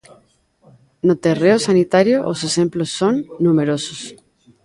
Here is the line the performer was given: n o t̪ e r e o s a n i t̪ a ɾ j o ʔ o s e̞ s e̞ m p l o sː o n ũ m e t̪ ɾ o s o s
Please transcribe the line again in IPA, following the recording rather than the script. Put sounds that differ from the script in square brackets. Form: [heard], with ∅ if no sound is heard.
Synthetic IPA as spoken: n o t̪ e r e o s a n i t̪ a ɾ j o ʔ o s e̞ s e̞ m p l o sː o [nː] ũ m e [∅] ɾ o s o s